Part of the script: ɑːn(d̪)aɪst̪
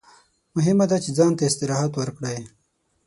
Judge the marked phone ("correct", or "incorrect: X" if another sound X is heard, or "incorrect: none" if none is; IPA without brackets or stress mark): incorrect: t̪